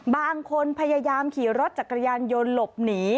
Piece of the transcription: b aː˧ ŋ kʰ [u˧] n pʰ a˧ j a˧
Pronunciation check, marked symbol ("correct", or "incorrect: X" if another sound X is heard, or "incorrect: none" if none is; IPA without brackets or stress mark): incorrect: o˧